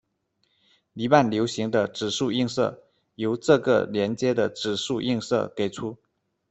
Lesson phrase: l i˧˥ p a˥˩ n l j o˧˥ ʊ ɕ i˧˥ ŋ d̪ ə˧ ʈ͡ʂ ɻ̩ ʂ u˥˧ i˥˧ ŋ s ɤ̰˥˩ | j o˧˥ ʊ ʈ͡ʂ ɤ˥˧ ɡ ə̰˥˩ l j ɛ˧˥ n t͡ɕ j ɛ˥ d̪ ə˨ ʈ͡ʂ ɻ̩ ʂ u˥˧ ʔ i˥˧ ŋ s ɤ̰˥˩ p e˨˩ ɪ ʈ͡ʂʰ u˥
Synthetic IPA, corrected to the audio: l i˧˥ p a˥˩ n l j o˧˥ ʊ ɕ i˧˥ ŋ d̪ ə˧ ʈ͡ʂ ɻ̩ ʂ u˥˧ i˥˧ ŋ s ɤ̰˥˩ | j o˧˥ ʊ ʈ͡ʂ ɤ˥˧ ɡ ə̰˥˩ l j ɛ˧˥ n t͡ɕ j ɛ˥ d̪ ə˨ ʈ͡ʂ ɻ̩ ʂ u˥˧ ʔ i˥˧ ŋ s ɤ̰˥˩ k e˨˩ ɪ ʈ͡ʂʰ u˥